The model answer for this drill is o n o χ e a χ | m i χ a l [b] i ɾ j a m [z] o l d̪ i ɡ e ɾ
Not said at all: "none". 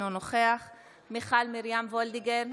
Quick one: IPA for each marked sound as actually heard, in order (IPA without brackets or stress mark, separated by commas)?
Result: m, v